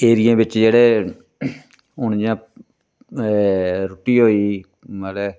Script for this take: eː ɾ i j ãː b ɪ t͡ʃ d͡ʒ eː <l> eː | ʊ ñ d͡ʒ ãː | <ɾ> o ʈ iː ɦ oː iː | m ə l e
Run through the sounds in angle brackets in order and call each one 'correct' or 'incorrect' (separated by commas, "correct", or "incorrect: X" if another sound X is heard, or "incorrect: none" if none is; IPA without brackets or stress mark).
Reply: incorrect: ɽ, correct